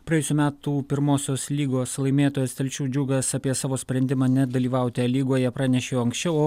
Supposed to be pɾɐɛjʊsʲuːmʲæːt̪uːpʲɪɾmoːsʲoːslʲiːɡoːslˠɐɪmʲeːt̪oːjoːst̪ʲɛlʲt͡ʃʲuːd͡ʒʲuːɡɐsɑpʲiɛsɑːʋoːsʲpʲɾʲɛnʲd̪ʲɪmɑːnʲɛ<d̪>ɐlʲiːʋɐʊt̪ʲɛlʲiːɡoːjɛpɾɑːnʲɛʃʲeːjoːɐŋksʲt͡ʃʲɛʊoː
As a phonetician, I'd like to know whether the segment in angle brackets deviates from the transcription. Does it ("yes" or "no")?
no